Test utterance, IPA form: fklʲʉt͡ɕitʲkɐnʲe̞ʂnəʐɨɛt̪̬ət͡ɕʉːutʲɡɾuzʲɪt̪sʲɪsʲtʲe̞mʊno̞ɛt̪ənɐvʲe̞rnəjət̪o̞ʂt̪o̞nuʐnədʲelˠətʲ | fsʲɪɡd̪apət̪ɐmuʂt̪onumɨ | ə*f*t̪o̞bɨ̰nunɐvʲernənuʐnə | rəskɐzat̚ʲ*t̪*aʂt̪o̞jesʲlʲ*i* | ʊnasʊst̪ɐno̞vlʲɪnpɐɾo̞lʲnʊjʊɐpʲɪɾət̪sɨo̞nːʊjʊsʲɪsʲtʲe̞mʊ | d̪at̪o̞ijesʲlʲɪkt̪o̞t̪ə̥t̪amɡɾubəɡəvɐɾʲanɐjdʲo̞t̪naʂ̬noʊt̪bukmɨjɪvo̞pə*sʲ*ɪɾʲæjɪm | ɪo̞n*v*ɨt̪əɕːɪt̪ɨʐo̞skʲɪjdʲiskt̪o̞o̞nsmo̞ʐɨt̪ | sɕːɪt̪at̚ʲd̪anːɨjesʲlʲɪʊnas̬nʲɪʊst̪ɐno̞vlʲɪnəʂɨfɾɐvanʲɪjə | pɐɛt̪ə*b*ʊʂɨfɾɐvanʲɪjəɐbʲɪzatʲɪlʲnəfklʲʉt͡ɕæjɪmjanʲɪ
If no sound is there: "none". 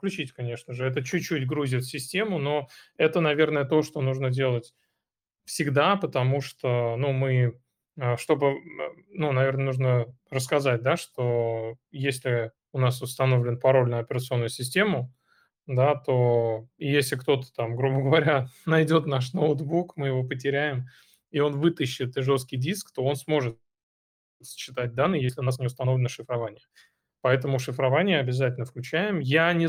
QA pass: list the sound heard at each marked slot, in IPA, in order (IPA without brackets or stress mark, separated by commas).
ʂ, d̪, ɪ, tʲ, v, m